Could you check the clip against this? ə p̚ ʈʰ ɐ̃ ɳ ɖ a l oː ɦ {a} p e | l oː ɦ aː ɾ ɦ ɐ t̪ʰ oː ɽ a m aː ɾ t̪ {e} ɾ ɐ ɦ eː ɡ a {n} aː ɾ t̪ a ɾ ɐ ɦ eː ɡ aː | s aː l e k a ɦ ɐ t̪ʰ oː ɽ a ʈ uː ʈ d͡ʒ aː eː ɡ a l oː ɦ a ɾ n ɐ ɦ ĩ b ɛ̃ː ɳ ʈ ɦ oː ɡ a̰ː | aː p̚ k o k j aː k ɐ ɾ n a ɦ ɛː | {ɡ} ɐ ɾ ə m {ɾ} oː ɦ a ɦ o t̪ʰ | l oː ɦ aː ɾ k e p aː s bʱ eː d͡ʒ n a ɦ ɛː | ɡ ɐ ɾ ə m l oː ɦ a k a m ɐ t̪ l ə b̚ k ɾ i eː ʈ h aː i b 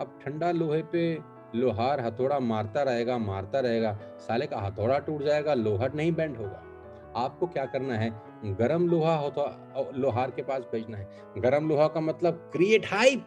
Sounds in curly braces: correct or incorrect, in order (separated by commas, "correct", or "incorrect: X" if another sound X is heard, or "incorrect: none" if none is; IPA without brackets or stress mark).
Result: incorrect: e, incorrect: a, incorrect: m, correct, incorrect: l